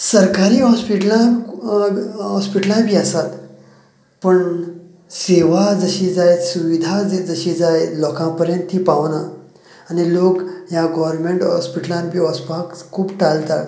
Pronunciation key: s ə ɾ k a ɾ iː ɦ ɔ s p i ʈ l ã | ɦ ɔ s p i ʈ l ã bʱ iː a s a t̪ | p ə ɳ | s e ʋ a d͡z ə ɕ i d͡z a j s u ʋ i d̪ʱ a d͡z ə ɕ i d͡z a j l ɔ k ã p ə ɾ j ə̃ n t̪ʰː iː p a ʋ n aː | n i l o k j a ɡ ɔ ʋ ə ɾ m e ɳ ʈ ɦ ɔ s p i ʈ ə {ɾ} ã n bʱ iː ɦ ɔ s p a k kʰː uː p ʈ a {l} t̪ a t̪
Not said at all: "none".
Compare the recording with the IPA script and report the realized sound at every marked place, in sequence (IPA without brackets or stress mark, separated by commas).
l, l